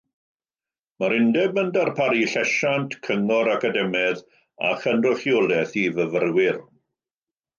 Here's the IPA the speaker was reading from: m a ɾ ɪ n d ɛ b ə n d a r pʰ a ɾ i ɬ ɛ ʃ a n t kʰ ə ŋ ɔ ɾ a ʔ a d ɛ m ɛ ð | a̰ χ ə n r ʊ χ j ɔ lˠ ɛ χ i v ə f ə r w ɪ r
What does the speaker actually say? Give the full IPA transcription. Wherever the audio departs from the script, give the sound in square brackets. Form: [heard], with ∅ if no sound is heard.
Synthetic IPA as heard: m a ɾ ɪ n d ɛ b ə n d a r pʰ a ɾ i ɬ ɛ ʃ a n t kʰ ə ŋ ɔ ɾ a [k] a d ɛ m ɛ ð | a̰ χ ə n r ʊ χ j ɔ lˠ ɛ [θ] i v ə [v] ə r w ɪ r